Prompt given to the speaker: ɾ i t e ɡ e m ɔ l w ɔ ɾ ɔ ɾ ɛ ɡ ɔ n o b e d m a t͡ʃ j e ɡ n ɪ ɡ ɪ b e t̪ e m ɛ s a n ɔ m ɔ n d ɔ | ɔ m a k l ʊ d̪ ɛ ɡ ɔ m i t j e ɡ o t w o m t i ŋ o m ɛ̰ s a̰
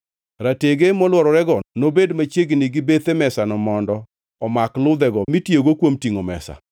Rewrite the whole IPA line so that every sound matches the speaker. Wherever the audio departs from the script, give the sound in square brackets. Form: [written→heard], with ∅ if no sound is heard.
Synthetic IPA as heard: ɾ [i→a] t e ɡ e m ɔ l w ɔ ɾ ɔ ɾ ɛ ɡ ɔ n o b e d m a t͡ʃ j e ɡ n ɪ ɡ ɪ b e t̪ e m ɛ s a n ɔ m ɔ n d ɔ | ɔ m a k l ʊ d̪ ɛ ɡ ɔ m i t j e ɡ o [t→k] w o m t i ŋ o m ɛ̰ s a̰